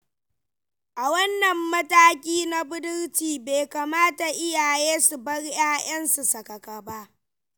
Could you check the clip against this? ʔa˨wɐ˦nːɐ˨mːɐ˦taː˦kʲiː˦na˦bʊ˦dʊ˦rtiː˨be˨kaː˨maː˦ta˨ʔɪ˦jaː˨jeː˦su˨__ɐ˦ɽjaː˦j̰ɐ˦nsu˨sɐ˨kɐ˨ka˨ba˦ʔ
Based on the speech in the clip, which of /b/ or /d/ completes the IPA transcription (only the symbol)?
b